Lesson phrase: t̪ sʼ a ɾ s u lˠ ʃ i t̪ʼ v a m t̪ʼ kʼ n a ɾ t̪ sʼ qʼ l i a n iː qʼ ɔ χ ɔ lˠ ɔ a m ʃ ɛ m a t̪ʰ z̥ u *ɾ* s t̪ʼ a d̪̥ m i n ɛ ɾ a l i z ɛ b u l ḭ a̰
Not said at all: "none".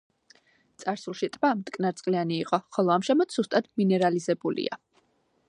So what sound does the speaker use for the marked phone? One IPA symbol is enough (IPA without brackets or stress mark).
none